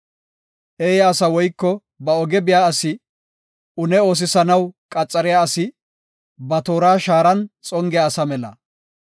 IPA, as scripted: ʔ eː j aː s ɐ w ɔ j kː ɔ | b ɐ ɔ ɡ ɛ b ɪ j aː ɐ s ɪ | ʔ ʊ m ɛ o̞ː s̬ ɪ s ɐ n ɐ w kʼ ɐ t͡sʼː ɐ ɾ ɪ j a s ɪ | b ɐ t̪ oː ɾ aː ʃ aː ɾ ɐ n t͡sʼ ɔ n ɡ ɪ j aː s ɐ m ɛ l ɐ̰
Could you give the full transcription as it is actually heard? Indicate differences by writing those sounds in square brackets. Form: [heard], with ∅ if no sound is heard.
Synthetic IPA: ʔ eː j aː s ɐ w ɔ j kː ɔ | b ɐ ɔ ɡ ɛ b ɪ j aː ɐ s ɪ | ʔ ʊ [n] ɛ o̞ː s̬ ɪ s ɐ n ɐ w kʼ ɐ t͡sʼː ɐ ɾ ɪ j a s ɪ | b ɐ t̪ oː ɾ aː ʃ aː ɾ ɐ n t͡sʼ ɔ [ŋ] ɡ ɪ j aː s ɐ m ɛ l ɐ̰